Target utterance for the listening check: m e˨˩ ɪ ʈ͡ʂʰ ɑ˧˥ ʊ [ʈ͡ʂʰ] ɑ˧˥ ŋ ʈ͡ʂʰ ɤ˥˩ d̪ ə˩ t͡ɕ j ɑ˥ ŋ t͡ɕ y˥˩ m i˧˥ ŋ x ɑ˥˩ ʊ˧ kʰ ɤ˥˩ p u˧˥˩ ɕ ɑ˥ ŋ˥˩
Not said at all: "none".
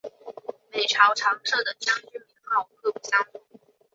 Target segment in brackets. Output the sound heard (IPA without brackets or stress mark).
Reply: ʈ͡ʂʰ